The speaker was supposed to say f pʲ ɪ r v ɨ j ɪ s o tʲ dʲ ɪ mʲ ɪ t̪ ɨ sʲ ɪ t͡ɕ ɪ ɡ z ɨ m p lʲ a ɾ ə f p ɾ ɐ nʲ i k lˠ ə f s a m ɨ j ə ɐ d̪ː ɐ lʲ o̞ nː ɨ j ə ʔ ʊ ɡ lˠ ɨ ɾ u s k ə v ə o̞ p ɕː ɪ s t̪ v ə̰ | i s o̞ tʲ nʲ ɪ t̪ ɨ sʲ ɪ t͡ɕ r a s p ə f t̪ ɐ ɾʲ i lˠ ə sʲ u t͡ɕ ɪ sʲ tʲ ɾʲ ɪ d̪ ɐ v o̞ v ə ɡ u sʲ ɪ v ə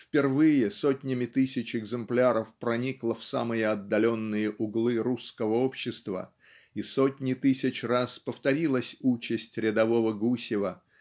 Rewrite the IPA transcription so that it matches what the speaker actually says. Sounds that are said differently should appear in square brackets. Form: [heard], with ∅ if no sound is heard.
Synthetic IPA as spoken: f pʲ ɪ r v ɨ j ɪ s o tʲ [nʲ] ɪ mʲ ɪ t̪ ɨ sʲ ɪ t͡ɕ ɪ ɡ z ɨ m p lʲ a ɾ ə f p ɾ ɐ nʲ i k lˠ ə f s a m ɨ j ə ɐ d̪ː ɐ lʲ o̞ nː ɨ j ə ʔ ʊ ɡ lˠ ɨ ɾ u s k ə v ə o̞ p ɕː ɪ s t̪ v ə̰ | i s o̞ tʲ nʲ ɪ t̪ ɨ sʲ ɪ t͡ɕ r a s p ə f t̪ ɐ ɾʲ i lˠ ə sʲ u t͡ɕ ɪ sʲ tʲ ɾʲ ɪ d̪ ɐ v o̞ v ə ɡ u sʲ ɪ v ə